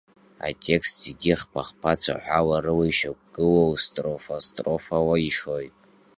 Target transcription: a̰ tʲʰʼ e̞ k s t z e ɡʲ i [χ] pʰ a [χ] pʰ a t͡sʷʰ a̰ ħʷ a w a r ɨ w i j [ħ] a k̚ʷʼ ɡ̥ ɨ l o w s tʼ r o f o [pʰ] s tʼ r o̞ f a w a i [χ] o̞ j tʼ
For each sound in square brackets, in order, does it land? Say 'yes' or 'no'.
yes, yes, no, no, no

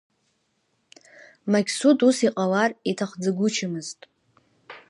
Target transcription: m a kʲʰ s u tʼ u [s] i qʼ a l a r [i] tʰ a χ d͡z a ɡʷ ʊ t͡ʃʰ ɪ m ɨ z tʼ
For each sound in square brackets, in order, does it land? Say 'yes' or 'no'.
yes, yes

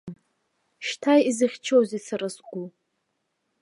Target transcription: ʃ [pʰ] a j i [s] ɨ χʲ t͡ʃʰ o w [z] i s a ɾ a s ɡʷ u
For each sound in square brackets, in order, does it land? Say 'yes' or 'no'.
no, no, yes

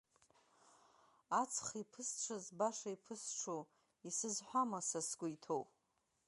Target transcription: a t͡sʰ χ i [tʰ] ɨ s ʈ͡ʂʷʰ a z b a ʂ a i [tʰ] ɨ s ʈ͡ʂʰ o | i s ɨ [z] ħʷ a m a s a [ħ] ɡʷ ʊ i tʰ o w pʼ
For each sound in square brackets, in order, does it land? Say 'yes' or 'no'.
no, no, yes, no

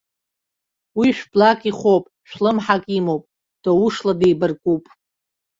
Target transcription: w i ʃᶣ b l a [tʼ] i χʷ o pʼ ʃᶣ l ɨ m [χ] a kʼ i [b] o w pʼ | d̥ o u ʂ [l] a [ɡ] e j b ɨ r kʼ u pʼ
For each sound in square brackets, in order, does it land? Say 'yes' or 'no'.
no, no, no, yes, no

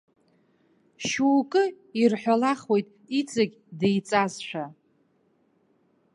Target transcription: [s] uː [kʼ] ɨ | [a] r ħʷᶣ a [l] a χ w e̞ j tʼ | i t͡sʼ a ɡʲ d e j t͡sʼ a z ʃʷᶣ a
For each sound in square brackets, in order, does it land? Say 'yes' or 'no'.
no, yes, no, yes

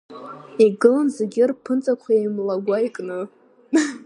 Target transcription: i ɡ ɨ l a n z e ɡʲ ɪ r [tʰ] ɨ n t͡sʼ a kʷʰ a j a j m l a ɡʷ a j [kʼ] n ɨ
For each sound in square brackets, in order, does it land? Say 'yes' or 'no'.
no, yes

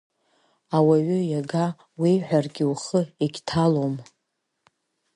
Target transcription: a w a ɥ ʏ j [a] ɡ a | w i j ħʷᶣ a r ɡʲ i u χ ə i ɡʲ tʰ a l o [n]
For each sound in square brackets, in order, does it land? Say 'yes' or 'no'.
yes, no

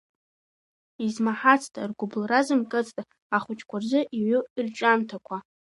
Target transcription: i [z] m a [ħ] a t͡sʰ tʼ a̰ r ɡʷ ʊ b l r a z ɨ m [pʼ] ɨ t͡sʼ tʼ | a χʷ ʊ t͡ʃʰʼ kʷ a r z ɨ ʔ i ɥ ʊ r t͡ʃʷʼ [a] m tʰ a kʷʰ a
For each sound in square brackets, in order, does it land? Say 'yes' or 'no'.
yes, yes, no, yes

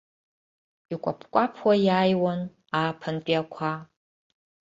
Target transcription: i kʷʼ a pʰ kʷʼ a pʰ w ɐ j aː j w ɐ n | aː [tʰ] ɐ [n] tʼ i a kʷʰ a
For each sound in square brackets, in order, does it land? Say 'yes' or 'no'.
no, yes

